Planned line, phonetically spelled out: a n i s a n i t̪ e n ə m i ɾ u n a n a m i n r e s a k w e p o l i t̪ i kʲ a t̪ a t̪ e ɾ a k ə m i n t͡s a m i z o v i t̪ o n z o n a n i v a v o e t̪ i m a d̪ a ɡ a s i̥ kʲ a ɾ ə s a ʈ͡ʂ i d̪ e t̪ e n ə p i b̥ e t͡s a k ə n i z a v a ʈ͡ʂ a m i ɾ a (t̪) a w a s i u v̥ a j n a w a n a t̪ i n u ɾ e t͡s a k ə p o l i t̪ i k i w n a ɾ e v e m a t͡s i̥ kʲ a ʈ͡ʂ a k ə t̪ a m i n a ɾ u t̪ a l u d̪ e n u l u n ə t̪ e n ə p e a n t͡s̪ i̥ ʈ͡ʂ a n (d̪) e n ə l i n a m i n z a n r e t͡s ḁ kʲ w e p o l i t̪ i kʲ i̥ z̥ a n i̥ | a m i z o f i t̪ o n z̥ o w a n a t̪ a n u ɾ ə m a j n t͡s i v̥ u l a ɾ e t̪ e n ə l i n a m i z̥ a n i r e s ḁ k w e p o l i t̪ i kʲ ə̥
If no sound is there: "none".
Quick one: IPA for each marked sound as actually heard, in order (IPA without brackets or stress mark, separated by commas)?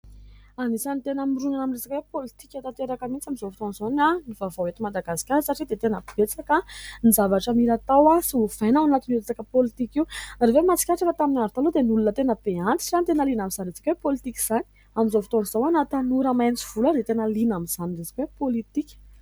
t̪, t̪